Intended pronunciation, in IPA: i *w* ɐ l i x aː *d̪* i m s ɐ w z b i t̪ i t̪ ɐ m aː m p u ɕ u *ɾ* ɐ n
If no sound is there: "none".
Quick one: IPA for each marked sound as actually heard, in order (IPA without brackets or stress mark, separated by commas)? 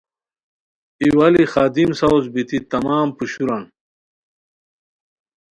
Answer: w, d̪, ɾ